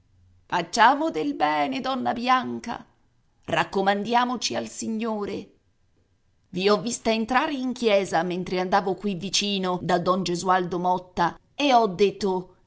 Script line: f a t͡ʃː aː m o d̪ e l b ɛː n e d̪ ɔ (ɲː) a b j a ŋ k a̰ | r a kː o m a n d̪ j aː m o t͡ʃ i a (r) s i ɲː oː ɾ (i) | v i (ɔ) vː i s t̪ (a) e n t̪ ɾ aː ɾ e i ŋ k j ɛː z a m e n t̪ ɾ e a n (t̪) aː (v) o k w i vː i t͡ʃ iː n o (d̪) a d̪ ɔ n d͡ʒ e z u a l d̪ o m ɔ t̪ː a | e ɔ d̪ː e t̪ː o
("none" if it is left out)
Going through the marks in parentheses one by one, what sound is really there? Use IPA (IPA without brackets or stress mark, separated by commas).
nː, l, e, ɔ, a, d̪, v, d̪